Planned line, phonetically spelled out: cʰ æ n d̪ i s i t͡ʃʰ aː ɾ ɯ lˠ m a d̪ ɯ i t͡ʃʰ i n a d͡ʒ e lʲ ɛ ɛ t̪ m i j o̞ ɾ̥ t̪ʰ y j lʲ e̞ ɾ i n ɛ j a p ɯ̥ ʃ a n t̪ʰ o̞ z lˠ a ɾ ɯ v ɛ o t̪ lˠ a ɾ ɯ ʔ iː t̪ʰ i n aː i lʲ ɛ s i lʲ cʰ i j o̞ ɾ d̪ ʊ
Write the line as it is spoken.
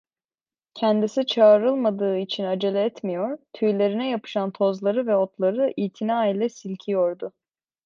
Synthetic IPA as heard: cʰ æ n d̪ i s i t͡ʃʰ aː ɾ ɯ lˠ m a d̪ ɯː i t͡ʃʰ i n a d͡ʒ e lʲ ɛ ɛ t̪ m i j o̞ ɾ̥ t̪ʰ y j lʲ e̞ ɾ i n ɛ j a p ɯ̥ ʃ a n t̪ʰ o̞ z lˠ a ɾ ɯ v ɛ o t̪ lˠ a ɾ ɯ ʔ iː t̪ʰ i n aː i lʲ ɛ s i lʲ cʰ i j o̞ ɾ d̪ ʊ